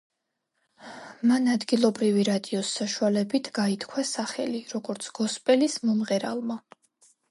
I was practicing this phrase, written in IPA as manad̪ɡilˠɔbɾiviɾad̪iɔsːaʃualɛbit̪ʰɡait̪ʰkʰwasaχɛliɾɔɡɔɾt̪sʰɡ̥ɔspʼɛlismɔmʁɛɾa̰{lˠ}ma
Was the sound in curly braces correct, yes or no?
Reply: yes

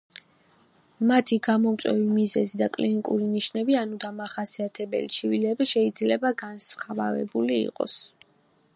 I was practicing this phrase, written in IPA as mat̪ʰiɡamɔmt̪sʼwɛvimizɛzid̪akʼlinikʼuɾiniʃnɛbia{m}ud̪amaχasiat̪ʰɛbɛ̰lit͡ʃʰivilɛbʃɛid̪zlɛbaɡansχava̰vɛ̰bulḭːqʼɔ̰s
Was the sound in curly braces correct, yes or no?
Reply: no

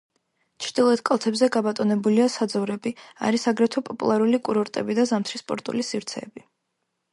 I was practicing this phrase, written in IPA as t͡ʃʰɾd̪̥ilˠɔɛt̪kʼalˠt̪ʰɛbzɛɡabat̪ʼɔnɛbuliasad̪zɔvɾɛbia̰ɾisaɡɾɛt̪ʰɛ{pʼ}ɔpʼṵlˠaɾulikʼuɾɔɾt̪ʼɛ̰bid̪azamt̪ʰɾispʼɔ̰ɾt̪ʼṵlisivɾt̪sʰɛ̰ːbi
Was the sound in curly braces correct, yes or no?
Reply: yes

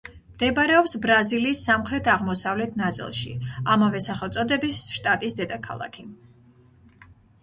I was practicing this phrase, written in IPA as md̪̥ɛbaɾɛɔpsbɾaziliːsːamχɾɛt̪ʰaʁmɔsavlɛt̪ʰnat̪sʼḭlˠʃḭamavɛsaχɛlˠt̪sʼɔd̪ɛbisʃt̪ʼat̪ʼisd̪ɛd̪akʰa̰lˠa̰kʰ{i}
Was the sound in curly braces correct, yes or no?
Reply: yes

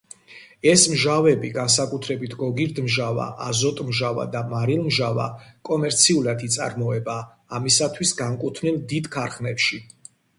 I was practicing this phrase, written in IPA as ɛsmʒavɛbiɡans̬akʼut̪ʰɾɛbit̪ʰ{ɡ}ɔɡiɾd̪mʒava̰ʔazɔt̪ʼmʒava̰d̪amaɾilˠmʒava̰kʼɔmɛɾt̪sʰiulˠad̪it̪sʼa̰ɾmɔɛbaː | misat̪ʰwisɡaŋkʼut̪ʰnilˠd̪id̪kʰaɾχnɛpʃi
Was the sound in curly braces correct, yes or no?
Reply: yes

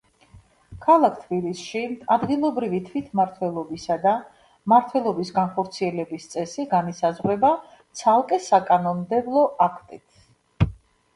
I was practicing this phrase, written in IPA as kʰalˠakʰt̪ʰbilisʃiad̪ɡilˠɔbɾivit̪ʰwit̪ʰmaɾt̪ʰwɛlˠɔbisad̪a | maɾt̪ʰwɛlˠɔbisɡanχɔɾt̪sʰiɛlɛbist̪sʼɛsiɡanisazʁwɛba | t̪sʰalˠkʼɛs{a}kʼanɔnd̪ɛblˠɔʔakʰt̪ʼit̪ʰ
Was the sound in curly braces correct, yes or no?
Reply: yes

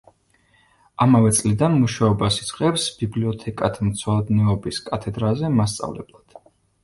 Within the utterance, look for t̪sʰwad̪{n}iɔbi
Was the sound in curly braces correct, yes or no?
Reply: yes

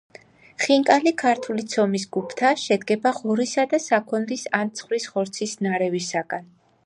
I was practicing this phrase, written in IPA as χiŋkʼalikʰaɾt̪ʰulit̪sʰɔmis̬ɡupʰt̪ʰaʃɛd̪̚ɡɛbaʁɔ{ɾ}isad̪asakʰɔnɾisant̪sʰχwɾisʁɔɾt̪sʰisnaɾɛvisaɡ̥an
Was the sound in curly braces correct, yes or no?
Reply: yes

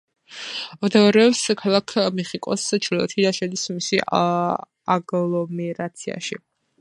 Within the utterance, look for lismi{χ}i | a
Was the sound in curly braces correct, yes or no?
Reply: no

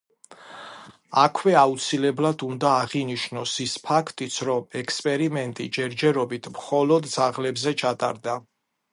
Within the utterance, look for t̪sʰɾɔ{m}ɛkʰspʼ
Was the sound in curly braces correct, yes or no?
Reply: yes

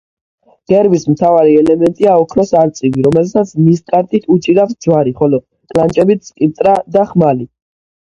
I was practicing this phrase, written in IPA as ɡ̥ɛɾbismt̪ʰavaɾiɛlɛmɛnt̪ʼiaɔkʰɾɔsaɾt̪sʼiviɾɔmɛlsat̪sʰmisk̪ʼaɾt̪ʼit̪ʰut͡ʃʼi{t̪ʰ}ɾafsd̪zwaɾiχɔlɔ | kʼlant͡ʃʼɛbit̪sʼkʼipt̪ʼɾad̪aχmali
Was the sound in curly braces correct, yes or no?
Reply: no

